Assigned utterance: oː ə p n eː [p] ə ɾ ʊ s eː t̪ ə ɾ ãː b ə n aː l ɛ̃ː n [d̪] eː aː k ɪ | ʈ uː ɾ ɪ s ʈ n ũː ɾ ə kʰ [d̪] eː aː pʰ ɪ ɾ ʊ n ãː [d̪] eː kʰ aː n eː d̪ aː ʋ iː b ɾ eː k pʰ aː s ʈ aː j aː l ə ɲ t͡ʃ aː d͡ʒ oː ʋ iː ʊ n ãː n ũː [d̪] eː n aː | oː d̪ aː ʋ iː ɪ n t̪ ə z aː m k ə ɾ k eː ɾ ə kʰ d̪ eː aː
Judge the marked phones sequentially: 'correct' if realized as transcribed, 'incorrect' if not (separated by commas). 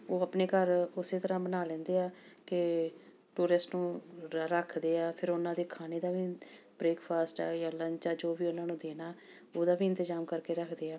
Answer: incorrect, correct, correct, correct, correct